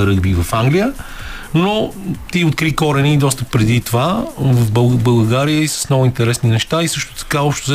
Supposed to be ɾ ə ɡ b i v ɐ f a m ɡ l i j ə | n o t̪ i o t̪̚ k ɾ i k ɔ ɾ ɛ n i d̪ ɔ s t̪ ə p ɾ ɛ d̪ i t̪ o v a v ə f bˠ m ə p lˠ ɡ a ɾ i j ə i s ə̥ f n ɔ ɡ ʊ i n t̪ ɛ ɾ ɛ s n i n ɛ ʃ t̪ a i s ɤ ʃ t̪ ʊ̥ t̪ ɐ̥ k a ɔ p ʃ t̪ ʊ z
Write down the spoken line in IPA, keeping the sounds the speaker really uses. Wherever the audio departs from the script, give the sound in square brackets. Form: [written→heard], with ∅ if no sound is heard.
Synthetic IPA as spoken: ɾ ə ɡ b i v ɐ f a [m→ŋ] ɡ l i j ə | n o t̪ i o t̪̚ k ɾ i k ɔ ɾ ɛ n i d̪ ɔ s t̪ ə p ɾ ɛ d̪ i t̪ o v a v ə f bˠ [m→b] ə [p→∅] lˠ ɡ a ɾ i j ə i s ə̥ [f→s] n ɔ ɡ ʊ i n t̪ ɛ ɾ ɛ s n i n ɛ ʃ t̪ a i s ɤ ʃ t̪ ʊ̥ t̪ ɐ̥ k a ɔ p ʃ t̪ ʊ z